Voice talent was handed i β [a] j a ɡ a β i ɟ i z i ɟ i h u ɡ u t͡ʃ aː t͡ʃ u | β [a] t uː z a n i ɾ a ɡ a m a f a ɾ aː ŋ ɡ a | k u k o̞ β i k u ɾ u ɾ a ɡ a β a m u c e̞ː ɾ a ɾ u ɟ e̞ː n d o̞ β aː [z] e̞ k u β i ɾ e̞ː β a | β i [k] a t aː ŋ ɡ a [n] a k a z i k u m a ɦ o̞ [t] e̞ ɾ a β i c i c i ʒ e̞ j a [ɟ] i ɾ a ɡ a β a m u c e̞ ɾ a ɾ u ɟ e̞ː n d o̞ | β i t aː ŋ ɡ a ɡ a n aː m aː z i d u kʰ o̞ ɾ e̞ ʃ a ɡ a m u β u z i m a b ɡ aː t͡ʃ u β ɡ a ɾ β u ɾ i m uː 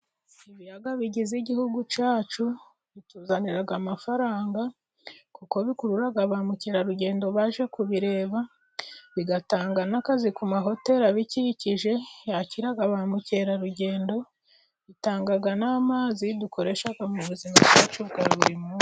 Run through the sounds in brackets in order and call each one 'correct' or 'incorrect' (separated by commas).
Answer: incorrect, incorrect, incorrect, incorrect, correct, correct, incorrect